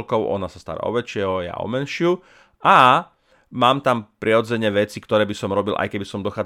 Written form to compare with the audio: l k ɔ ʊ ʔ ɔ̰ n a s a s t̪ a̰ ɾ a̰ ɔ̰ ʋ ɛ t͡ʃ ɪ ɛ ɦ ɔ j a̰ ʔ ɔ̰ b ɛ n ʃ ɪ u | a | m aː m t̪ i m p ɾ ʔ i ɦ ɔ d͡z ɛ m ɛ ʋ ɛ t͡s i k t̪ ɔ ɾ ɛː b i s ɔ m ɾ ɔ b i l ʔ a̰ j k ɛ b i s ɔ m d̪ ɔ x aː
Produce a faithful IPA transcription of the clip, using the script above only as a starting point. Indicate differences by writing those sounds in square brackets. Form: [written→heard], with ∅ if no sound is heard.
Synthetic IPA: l k ɔ ʊ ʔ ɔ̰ n a s a s t̪ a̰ ɾ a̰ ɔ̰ ʋ ɛ t͡ʃ ɪ ɛ ɦ ɔ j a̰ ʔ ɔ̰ [b→m] ɛ n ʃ ɪ u | a | m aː m t̪ [i→a] m p ɾ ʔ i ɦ ɔ d͡z ɛ [m→ɲ] ɛ ʋ ɛ t͡s i k t̪ ɔ ɾ ɛː b i s ɔ m ɾ ɔ b i l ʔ a̰ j k ɛ b i s ɔ m d̪ ɔ x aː